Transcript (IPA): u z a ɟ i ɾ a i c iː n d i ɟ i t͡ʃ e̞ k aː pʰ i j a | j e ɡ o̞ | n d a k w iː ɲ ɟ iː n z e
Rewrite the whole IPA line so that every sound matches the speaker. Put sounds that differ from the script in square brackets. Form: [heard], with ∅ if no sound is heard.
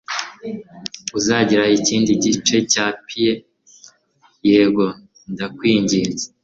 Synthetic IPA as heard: u z a ɟ i ɾ a i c iː n d i ɟ i t͡ʃ e̞ [c] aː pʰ i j [e] | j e ɡ o̞ | n d a k w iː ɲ ɟ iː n z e